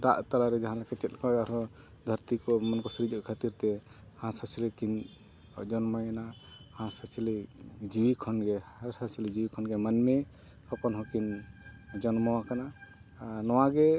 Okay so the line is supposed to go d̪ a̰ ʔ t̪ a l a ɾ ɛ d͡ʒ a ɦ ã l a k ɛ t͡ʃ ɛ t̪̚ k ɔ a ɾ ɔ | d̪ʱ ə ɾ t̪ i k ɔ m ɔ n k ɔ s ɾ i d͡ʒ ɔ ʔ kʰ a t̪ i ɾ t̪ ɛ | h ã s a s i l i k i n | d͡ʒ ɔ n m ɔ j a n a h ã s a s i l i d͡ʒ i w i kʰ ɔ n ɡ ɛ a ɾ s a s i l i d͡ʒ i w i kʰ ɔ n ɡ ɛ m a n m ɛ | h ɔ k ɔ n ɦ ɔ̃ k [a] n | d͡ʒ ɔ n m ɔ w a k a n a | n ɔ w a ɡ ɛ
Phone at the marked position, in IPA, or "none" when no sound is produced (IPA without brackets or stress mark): i